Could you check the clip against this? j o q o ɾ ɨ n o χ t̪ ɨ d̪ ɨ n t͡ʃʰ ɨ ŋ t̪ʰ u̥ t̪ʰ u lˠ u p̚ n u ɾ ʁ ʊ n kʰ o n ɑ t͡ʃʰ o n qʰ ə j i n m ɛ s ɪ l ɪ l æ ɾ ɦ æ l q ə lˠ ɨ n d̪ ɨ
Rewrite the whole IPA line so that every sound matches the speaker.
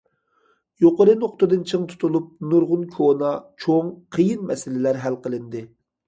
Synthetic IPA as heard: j o q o ɾ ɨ n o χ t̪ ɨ d̪ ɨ n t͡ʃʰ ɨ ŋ t̪ʰ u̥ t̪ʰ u lˠ u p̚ n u ɾ ʁ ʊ n kʰ o n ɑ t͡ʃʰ o ŋ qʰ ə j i n m ɛ s ɪ l ɪ l æ ɾ ɦ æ l q ə lˠ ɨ n d̪ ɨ